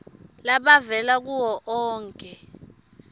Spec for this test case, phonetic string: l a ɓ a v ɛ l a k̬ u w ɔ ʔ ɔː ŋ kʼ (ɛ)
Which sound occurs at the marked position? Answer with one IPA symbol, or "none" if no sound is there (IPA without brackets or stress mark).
ɛ